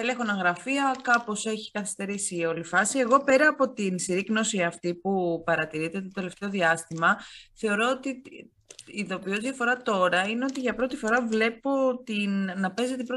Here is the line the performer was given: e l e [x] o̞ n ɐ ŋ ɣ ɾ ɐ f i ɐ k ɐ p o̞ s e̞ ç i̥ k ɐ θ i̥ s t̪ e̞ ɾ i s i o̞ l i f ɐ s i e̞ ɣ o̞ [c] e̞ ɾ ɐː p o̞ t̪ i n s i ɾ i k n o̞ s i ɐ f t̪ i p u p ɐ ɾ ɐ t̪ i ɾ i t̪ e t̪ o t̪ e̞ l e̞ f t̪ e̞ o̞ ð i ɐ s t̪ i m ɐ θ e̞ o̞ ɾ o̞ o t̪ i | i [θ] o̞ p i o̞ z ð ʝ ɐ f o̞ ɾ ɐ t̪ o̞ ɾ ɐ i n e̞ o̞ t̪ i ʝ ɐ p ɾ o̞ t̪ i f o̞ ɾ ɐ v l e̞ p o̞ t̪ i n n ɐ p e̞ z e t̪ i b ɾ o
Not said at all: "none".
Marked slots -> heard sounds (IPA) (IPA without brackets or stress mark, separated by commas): x, p, ð